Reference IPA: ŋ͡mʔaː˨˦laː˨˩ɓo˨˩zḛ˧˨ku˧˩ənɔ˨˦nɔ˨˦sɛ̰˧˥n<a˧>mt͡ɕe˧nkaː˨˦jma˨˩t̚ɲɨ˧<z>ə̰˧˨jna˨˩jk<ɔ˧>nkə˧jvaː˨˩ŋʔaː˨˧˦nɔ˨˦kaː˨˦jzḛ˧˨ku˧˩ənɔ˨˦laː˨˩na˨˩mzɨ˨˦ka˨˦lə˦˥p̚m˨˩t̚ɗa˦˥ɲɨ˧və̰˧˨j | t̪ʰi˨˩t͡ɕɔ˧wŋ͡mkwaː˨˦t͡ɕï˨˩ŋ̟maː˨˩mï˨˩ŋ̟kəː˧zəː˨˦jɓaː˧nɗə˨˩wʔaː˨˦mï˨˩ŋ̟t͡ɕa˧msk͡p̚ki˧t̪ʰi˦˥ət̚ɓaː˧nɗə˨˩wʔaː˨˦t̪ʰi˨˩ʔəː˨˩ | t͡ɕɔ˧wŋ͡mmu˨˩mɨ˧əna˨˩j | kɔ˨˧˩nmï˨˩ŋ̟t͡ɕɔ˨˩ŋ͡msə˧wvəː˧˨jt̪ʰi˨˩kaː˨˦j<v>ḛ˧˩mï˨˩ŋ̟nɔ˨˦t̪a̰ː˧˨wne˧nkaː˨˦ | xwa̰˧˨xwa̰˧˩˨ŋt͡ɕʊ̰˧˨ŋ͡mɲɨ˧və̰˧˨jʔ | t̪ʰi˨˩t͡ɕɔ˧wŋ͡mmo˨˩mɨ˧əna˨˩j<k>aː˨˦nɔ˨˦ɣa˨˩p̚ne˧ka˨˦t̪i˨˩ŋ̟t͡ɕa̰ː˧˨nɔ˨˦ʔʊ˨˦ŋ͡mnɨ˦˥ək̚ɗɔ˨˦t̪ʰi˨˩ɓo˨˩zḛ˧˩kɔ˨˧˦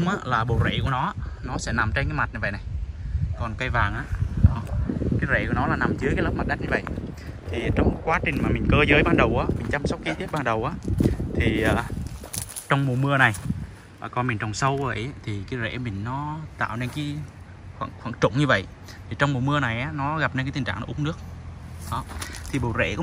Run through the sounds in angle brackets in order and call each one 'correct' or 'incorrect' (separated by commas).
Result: incorrect, incorrect, incorrect, incorrect, incorrect